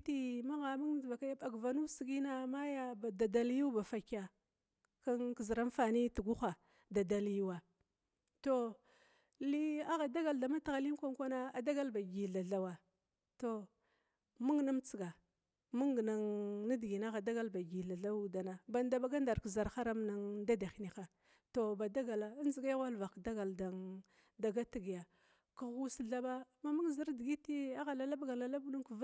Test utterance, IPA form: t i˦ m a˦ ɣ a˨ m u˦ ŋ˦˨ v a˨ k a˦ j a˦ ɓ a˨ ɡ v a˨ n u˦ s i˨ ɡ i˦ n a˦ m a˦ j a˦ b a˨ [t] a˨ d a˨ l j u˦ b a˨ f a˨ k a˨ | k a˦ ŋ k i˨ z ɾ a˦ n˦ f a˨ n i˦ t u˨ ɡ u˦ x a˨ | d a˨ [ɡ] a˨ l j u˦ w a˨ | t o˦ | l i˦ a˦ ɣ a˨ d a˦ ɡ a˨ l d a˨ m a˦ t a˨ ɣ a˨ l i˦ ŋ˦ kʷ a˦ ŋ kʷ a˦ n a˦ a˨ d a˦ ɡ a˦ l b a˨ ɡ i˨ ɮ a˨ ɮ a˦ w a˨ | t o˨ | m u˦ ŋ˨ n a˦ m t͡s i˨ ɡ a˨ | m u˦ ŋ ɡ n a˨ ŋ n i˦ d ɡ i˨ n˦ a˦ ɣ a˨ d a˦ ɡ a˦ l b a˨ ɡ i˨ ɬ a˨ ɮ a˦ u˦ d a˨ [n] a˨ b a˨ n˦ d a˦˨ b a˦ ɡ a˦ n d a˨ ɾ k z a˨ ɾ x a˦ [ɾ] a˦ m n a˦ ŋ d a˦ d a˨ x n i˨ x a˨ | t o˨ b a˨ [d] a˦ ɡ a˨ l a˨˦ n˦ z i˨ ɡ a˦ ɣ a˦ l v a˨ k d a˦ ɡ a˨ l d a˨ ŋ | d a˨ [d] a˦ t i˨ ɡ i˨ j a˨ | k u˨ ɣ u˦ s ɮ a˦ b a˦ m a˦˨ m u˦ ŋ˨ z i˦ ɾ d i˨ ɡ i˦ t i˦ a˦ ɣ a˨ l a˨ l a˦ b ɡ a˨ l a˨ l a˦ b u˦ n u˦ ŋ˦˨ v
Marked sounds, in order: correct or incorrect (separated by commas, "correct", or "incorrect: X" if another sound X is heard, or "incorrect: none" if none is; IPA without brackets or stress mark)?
incorrect: d, incorrect: d, correct, correct, correct, incorrect: ɡ